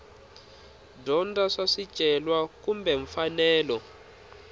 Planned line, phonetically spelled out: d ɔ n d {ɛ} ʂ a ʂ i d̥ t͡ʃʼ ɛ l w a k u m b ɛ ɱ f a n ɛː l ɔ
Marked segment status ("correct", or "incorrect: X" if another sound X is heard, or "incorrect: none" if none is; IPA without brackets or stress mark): incorrect: a